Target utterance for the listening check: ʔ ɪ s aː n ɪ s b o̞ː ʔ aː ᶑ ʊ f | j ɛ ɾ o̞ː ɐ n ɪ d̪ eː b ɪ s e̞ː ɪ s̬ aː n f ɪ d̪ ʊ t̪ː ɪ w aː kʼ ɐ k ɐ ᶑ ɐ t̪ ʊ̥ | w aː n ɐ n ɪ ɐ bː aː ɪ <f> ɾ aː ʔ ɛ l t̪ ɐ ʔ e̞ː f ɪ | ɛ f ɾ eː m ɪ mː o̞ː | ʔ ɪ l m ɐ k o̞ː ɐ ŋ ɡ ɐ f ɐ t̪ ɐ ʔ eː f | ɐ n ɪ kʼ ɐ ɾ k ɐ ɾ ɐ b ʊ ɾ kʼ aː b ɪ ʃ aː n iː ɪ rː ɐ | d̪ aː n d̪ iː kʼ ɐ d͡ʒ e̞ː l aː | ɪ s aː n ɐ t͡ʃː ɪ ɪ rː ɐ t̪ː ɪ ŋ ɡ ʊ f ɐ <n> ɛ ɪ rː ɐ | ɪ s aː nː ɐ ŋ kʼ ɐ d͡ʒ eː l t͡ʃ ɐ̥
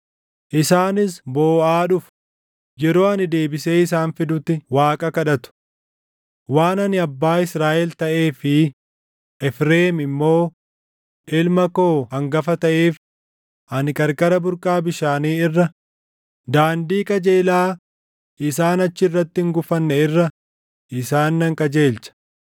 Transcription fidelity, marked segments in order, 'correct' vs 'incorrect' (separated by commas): incorrect, incorrect